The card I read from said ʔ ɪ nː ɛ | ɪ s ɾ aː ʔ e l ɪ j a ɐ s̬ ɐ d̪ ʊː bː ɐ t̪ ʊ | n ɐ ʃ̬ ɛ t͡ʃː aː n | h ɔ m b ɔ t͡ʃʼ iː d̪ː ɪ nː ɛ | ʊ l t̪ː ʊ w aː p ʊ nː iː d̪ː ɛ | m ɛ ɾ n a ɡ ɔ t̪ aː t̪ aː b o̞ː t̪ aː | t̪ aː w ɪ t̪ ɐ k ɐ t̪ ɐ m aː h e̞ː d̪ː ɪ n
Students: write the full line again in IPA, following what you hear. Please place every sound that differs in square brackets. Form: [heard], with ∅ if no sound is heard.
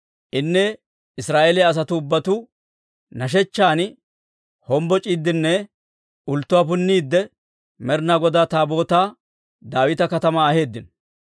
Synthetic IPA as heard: ʔ ɪ nː ɛ | ɪ s ɾ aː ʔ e l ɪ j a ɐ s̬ ɐ [t̪] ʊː bː ɐ t̪ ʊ | n ɐ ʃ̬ ɛ t͡ʃː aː n | h ɔ m b ɔ t͡ʃʼ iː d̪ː ɪ nː ɛ | ʊ l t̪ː ʊ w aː p ʊ nː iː d̪ː ɛ | m ɛ ɾ n a ɡ ɔ [d̪] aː t̪ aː b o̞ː t̪ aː | [d̪] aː w ɪ t̪ ɐ k ɐ t̪ ɐ m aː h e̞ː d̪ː ɪ n

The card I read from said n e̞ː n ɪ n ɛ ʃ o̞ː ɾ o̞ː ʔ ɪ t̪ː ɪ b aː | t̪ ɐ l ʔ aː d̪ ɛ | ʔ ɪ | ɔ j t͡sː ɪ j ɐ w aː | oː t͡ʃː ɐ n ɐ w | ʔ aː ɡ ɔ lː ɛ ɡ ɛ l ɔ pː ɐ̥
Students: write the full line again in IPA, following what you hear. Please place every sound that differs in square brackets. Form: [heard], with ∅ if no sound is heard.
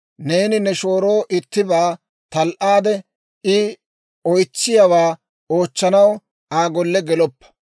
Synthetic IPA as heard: n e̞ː n ɪ n ɛ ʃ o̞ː ɾ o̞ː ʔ ɪ t̪ː ɪ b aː | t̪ ɐ l ʔ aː d̪ ɛ | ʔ ɪ | ɔ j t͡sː ɪ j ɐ w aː | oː t͡ʃː ɐ n ɐ w | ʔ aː ɡ ɔ lː ɛ ɡ ɛ l ɔ pː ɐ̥

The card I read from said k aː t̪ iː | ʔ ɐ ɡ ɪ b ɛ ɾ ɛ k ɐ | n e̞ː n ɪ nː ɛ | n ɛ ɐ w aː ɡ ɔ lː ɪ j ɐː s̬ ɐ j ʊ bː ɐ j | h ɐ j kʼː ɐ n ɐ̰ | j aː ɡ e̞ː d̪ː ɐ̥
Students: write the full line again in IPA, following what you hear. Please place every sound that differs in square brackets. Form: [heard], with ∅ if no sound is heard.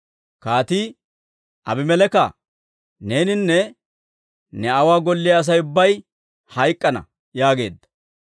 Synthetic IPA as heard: k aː t̪ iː | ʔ ɐ [b] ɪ [m] ɛ [l] ɛ k ɐ | n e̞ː n ɪ nː ɛ | n ɛ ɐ w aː ɡ ɔ lː ɪ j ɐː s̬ ɐ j ʊ bː ɐ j | h ɐ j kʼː ɐ n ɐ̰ | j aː ɡ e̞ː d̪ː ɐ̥

